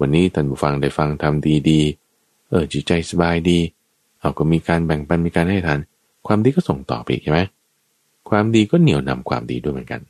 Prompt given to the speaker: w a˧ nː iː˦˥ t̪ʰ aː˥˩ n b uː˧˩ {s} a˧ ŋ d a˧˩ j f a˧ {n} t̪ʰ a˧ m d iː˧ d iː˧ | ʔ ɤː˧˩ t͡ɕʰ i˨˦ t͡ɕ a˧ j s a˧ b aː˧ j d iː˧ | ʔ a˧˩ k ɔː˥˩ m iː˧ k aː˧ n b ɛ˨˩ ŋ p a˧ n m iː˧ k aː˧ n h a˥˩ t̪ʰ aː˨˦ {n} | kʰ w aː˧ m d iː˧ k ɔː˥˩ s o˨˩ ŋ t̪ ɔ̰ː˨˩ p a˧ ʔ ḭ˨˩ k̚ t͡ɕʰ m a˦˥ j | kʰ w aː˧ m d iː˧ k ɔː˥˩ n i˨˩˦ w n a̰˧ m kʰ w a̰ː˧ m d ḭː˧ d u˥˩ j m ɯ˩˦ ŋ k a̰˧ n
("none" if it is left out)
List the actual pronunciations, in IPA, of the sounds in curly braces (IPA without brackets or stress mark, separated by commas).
f, ŋ, n